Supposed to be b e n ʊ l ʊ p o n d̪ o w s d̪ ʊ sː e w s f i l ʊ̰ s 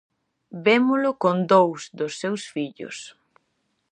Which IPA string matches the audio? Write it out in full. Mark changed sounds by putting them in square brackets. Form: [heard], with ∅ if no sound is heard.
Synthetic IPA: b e [m] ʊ l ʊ [k] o n d̪ o w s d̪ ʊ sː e w s f i [ʎ] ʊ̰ s